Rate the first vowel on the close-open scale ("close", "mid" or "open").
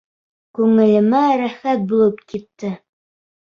close